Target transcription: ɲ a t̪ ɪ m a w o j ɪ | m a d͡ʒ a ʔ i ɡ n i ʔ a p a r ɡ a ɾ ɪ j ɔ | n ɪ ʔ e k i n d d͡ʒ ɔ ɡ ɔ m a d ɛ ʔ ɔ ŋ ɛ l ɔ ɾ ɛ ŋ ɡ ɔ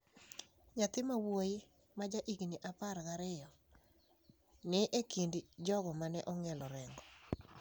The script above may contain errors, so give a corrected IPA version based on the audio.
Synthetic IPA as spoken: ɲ a t̪ ɪ m a w o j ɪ | m a d͡ʒ a ʔ i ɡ n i ʔ a p a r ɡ a ɾ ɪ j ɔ | n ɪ ʔ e k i n d d͡ʒ ɔ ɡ ɔ m a n ɛ ʔ ɔ ŋ ɛ l ɔ ɾ ɛ ŋ ɡ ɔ

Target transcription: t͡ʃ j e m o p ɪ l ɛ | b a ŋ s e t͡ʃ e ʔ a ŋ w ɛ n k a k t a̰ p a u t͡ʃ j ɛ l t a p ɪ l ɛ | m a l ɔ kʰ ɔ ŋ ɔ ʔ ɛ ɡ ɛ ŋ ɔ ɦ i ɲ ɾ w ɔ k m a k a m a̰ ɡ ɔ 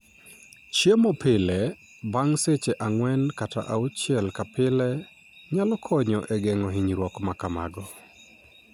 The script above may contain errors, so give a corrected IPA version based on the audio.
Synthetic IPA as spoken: t͡ʃ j e m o p ɪ l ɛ | b a ŋ s e t͡ʃ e ʔ a ŋ w ɛ n k a t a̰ ʔ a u t͡ʃ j ɛ l k a p ɪ l ɛ | ɲ a l ɔ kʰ ɔ ɲ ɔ ʔ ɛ ɡ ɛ ŋ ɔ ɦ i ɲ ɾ w ɔ k m a k a m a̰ ɡ ɔ

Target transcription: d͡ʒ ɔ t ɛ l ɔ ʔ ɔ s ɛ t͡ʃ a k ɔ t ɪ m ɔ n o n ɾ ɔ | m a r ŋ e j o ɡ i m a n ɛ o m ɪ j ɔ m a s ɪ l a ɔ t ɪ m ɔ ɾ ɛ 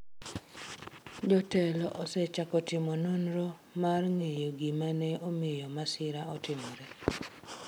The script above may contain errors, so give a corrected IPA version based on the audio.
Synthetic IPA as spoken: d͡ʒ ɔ t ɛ l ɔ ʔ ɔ s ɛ t͡ʃ a k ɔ t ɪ m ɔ n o n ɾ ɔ | m a r ŋ e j o ɡ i m a n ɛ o m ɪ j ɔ m a s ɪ ɾ a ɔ t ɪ m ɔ ɾ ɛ

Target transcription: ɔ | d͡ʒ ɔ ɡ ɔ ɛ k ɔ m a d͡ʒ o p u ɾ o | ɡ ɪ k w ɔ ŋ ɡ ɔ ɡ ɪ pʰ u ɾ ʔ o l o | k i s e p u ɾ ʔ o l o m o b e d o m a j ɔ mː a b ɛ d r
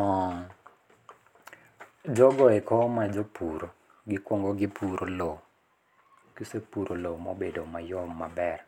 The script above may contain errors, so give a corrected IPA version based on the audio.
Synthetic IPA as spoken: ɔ | d͡ʒ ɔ ɡ ɔ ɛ k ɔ m a d͡ʒ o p u ɾ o | ɡ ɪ k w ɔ ŋ ɡ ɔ ɡ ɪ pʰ u ɾ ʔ o l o | k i s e p u ɾ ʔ o l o m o b e d o m a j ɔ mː a b ɛ r

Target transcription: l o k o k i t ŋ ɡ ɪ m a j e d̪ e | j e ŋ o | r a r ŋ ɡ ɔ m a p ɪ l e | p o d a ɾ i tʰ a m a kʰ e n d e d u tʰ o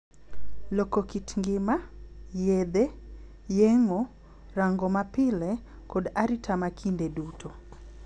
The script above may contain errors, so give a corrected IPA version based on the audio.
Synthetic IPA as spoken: l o k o k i t ŋ ɡ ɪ m a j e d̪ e | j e ŋ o | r a ŋ ɡ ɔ m a p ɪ l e | k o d a ɾ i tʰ a m a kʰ i n d e d u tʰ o

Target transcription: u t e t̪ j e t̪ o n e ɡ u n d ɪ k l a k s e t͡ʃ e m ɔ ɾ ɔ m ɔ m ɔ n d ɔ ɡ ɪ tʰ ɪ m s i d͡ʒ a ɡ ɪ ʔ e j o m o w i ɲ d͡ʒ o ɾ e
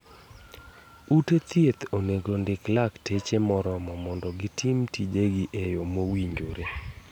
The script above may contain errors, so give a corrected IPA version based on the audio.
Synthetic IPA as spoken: u t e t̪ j e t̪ o n e ɡ o n d ɪ k l a k t e t͡ʃ e m ɔ ɾ ɔ m ɔ m ɔ n d ɔ ɡ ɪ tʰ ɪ m t i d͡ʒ e ɡ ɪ ʔ e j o m o w i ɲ d͡ʒ o ɾ e

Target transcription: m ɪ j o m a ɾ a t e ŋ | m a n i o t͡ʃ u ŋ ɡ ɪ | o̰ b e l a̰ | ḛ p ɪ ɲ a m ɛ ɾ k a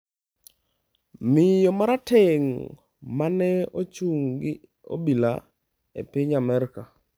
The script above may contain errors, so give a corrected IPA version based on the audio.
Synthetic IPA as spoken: m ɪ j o m a ɾ a t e ŋ | m a n ɛ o t͡ʃ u ŋ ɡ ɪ | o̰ b i l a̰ | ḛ p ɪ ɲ a m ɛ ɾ k a

